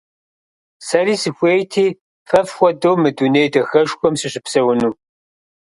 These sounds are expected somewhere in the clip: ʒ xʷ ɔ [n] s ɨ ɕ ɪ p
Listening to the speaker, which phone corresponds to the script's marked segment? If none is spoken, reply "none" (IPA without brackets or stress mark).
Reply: m